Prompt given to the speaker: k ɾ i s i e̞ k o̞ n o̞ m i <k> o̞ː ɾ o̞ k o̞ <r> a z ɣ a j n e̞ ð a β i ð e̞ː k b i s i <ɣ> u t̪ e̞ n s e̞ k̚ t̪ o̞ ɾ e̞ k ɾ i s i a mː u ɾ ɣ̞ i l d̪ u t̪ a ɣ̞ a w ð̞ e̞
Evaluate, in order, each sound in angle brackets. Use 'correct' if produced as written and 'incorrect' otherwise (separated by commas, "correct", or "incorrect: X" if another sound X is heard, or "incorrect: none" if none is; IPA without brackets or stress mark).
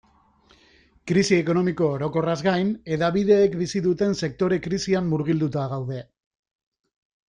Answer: correct, correct, incorrect: ð